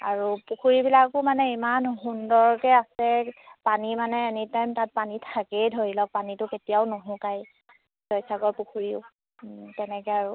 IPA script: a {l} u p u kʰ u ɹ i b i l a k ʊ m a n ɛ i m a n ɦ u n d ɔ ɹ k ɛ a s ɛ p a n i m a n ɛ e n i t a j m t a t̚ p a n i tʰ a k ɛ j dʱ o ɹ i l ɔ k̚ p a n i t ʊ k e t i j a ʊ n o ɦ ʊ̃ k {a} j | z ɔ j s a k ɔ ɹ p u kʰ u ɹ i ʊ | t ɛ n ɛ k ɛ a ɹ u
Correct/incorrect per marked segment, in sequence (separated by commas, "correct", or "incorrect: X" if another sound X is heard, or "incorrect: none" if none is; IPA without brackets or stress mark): incorrect: ɹ, correct